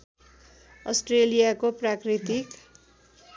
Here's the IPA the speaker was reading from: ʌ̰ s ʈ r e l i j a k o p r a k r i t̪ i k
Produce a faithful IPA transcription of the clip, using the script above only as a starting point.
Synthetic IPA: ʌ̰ s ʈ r e l i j a k o p r a k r i t̪ i k